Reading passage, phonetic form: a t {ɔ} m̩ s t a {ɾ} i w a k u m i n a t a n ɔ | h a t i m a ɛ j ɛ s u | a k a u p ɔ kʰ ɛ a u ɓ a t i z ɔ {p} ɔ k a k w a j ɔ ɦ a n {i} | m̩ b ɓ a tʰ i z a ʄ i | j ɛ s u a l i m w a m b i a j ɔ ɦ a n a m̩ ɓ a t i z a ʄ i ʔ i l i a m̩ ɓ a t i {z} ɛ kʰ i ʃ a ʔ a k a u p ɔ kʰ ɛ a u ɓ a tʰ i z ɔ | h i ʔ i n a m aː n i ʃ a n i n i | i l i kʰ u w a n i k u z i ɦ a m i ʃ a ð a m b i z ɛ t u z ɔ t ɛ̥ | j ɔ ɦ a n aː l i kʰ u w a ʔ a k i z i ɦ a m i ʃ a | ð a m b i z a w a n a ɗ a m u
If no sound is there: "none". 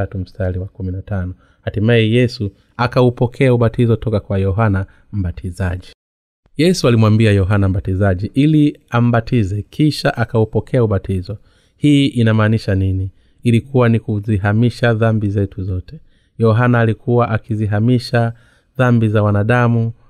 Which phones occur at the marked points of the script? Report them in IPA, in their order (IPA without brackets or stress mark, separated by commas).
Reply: u, l, t, a, z